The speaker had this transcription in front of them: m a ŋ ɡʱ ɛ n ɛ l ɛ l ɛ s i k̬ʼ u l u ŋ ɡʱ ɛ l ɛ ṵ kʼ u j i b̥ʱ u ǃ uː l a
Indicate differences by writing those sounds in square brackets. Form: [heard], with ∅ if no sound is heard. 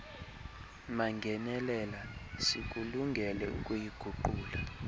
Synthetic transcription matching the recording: m a ŋ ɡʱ ɛ n ɛ l ɛ l [a] s i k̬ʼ u l u ŋ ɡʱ ɛ l ɛ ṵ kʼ u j i [ɡ̥ʱ] u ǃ uː l a